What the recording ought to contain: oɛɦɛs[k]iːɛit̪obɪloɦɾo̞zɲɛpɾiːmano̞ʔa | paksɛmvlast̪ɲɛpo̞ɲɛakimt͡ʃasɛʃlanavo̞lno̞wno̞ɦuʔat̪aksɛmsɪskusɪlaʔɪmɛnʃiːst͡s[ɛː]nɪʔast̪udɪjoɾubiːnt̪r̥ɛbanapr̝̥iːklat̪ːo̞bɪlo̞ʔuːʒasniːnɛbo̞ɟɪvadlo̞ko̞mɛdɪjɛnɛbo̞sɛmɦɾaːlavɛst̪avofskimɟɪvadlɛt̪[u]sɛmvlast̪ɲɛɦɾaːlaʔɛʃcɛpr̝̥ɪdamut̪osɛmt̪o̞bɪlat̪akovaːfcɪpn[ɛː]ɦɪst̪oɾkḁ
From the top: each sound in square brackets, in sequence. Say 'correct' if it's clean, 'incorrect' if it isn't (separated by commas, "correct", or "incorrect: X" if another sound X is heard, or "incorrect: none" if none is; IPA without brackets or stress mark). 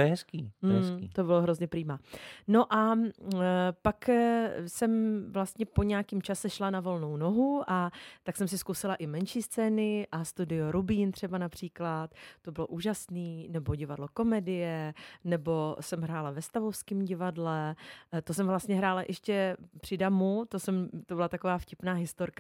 correct, correct, incorrect: o, incorrect: aː